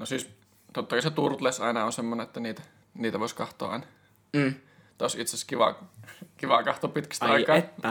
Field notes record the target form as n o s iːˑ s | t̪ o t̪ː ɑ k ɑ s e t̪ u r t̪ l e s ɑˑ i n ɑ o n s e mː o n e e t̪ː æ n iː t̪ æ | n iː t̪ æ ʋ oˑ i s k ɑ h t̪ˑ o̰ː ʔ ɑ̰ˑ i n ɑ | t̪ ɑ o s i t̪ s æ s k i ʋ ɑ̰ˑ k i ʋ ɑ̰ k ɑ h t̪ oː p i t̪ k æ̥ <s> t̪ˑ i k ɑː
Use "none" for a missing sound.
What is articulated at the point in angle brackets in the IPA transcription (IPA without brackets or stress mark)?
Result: s